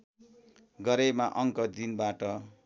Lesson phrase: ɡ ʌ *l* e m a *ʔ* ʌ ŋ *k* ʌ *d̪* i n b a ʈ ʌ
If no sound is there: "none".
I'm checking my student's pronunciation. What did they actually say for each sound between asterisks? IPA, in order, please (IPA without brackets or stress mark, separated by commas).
ɾ, ʔ, k, d̪